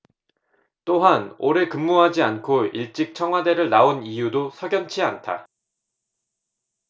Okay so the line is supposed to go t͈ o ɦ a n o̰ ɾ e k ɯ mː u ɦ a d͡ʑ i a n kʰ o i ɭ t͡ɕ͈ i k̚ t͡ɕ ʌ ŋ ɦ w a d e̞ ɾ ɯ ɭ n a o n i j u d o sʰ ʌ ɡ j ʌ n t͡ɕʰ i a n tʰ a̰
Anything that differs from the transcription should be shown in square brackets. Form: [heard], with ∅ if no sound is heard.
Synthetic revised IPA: t͈ o ɦ a n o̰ ɾ e k ɯ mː u ɦ a d͡ʑ i a n kʰ o i ɭ t͡ɕ͈ i k̚ [t͡ɕʰ] ʌ ŋ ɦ w a d e̞ ɾ ɯ ɭ n a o n i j u d o sʰ ʌ ɡ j ʌ n t͡ɕʰ i a n tʰ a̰